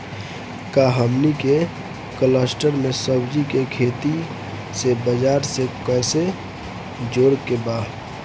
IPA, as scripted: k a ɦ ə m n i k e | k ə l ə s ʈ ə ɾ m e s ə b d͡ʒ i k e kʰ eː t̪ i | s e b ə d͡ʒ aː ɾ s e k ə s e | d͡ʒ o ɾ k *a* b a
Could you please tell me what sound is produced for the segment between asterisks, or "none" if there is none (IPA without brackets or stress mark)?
e